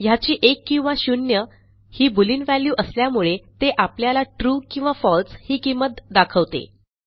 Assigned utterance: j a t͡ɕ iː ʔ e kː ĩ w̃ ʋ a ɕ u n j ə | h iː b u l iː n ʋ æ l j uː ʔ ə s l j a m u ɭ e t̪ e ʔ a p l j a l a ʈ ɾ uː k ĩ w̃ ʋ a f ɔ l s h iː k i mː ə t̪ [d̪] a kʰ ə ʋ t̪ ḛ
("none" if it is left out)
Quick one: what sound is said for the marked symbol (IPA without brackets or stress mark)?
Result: d̪